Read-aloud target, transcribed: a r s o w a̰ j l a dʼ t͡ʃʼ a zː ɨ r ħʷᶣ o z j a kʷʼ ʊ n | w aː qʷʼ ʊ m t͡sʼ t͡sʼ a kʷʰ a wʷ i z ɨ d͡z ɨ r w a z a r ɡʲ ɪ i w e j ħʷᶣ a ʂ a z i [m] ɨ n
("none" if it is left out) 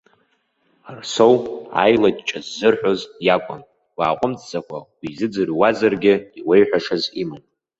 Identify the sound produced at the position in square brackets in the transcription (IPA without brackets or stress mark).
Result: m